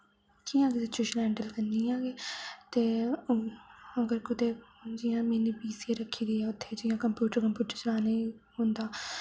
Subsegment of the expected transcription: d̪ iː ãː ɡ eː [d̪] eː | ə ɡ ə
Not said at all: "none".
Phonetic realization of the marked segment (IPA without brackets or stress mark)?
t̪